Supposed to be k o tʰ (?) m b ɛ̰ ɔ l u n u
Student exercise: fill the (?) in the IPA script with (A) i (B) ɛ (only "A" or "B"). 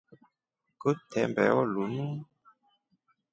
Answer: B